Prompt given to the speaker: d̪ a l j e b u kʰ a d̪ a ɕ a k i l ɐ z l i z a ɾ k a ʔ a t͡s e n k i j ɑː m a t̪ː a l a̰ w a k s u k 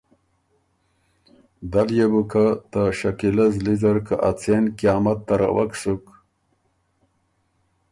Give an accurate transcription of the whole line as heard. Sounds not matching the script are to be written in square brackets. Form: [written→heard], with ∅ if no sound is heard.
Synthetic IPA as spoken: d̪ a l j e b u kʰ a [d̪→t̪] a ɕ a k i l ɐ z l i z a ɾ k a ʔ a t͡s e n k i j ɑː m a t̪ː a [l→ɾ] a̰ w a k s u k